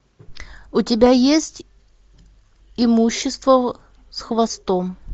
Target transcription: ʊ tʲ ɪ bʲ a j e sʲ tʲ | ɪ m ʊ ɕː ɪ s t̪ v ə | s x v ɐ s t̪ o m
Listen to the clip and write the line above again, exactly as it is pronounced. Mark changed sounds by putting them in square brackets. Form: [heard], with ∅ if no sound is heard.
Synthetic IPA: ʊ tʲ ɪ bʲ a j e sʲ tʲ | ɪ m [u] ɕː ɪ s t̪ v ə | s x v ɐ s t̪ o m